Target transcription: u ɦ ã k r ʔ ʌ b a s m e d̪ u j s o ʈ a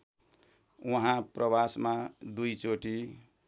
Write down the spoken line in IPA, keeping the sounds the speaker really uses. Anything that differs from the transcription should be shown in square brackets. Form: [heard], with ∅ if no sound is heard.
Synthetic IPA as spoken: u ɦ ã [p] r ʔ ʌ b a s m [a] d̪ u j [t͡s] o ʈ [i]